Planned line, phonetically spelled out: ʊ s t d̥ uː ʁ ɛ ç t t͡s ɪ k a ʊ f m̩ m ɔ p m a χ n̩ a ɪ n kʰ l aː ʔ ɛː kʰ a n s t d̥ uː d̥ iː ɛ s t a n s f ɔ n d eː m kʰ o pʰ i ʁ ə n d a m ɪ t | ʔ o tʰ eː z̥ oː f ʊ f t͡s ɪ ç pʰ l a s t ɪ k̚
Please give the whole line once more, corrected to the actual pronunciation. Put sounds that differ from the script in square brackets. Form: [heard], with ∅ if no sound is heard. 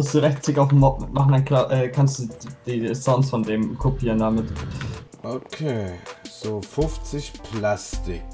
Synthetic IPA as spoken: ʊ s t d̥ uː ʁ ɛ ç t t͡s ɪ k a ʊ f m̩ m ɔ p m a χ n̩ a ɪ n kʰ l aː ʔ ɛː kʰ a n s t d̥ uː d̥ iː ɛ s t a n s f ɔ n d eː m kʰ o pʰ [iː] ʁ ə n d a m ɪ t | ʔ o [kʰ] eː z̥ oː f ʊ f t͡s ɪ ç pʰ l a s t ɪ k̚